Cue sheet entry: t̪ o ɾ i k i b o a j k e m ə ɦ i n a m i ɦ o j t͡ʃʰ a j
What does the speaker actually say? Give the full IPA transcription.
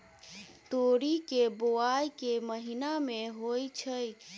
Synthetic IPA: t̪ o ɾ i k e b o a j k e m ə ɦ i n a m e ɦ o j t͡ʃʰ ə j